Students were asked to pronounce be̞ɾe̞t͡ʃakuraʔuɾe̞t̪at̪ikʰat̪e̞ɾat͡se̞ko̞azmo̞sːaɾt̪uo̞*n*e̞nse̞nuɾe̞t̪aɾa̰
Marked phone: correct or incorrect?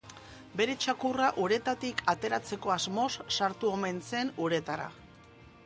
incorrect